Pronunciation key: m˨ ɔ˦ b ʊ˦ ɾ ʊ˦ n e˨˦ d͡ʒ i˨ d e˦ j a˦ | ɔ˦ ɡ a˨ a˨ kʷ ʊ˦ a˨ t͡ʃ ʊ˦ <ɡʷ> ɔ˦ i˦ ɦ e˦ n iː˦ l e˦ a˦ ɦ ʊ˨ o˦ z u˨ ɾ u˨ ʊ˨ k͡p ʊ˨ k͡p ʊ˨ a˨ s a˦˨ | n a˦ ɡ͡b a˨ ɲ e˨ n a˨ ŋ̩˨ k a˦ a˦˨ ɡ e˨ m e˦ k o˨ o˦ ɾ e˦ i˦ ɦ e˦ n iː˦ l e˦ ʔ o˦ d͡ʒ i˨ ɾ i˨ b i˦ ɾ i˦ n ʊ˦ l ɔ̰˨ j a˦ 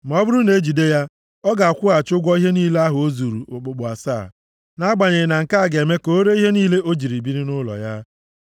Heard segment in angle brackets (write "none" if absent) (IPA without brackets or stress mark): ɡʷ